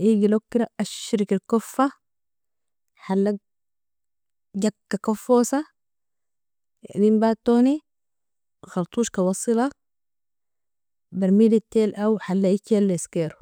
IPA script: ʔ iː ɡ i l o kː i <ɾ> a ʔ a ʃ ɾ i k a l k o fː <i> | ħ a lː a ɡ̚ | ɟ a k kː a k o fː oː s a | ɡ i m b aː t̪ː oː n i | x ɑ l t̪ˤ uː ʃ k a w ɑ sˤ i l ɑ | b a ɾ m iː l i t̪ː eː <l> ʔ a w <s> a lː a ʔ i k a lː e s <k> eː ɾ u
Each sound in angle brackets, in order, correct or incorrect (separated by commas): correct, incorrect, correct, incorrect, correct